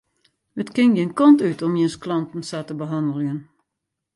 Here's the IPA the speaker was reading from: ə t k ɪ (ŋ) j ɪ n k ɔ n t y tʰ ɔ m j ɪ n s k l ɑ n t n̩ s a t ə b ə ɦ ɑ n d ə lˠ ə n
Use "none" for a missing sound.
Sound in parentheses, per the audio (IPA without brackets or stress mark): ŋ